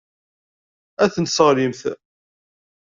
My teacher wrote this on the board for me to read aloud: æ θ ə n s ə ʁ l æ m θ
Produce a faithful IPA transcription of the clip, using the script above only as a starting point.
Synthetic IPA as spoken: æ θ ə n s ə ʁ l i m θ